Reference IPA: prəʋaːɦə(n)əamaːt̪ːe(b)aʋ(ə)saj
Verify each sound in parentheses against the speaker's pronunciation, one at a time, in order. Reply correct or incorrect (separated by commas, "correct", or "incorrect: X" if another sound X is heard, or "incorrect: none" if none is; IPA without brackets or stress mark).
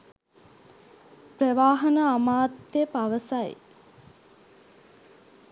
correct, incorrect: p, correct